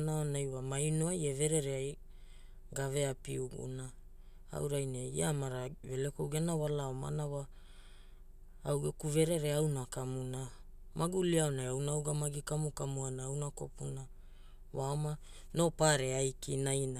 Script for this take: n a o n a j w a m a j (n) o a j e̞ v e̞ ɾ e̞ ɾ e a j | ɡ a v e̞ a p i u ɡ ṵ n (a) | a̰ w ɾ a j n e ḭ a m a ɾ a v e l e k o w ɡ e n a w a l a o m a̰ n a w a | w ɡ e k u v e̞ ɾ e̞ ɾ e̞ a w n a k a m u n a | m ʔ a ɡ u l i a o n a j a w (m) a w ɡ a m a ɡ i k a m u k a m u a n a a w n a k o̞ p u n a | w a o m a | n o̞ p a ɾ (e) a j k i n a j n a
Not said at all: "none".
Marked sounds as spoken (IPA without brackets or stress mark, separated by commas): n, a, n, e